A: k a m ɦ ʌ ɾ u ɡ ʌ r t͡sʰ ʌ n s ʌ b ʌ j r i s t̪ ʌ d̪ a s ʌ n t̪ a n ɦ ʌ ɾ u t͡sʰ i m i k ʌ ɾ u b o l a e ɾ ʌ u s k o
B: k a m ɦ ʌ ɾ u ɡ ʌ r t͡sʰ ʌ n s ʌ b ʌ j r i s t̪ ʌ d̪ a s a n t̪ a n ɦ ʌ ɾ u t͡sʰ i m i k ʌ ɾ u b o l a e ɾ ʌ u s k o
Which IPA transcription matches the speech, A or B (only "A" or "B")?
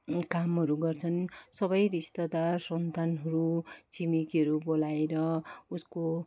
A